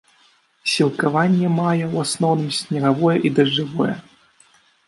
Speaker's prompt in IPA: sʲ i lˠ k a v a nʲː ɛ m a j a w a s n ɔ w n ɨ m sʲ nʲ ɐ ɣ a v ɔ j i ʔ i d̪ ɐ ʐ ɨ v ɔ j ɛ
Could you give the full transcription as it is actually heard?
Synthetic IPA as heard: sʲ i lˠ k a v a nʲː ɛ m a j ɛ w a s n ɔ w n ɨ m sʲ nʲ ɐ ɣ a v ɔ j ɛ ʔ i d̪ ɐ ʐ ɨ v ɔ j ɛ